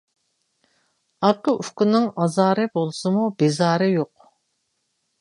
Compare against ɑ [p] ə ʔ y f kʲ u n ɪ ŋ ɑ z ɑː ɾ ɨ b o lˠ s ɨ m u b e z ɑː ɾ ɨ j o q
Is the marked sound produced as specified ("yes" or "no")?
no